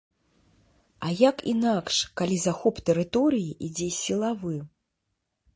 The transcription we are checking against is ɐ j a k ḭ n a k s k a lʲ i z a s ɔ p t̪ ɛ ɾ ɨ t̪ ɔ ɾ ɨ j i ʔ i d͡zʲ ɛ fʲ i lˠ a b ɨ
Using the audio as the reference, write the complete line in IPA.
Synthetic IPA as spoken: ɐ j a k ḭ n a k ʂ k a lʲ i z a x ɔ p t̪ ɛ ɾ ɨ t̪ ɔ ɾ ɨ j i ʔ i d͡zʲ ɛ sʲ i lˠ a v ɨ